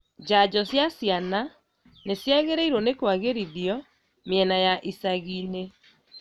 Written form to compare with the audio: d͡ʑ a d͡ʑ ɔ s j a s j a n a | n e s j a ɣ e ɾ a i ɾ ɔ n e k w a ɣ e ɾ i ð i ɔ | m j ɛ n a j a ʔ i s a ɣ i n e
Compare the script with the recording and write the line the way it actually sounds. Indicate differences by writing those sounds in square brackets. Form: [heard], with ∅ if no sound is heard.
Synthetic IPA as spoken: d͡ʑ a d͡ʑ ɔ s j a s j a n a | n e s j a ɣ e ɾ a i ɾ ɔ n e k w a ɣ e ɾ i ð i ɔ | m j ɛ n a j a ʔ i s a ɣ i n e